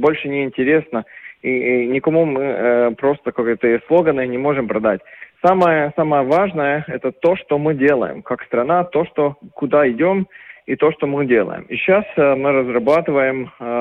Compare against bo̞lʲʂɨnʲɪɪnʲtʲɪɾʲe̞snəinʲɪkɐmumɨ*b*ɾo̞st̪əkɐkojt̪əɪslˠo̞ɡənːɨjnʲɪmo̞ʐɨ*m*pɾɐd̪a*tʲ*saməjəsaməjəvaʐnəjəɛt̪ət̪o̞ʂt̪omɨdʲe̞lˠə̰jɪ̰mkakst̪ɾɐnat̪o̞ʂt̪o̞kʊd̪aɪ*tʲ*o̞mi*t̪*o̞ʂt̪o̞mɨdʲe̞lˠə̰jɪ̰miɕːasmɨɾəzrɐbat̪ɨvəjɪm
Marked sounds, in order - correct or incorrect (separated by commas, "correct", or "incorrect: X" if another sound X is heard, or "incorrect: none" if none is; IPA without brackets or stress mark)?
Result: incorrect: p, correct, correct, incorrect: dʲ, correct